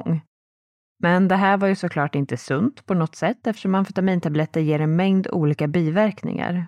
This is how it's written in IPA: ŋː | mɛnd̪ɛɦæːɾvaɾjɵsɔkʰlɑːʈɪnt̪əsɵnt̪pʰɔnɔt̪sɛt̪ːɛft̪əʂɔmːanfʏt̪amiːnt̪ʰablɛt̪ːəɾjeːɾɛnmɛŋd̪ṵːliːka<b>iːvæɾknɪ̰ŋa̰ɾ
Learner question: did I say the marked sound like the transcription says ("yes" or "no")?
yes